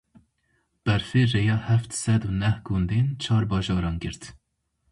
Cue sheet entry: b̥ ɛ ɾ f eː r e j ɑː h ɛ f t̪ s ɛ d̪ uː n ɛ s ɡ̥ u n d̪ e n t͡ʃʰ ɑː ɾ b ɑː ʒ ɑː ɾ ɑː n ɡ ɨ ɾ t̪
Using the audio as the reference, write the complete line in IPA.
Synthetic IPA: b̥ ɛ ɾ f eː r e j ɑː h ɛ f t̪ s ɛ d̪ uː n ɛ h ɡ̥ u n d̪ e n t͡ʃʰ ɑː ɾ b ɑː ʒ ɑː ɾ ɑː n ɡ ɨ ɾ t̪